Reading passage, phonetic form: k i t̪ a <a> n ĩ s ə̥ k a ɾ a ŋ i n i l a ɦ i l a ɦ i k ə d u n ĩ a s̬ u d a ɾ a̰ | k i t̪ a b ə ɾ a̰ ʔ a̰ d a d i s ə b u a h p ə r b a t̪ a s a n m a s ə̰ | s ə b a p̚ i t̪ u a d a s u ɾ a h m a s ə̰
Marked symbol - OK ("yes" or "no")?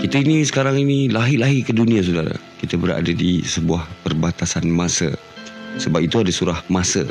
no